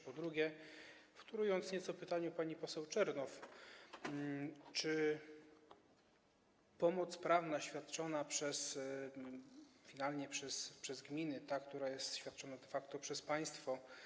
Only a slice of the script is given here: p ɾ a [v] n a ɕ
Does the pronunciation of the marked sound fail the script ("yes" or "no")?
no